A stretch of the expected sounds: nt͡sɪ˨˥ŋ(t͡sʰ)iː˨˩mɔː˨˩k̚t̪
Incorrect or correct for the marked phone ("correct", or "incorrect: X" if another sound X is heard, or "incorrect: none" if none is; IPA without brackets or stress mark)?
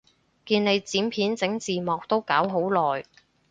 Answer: incorrect: t͡s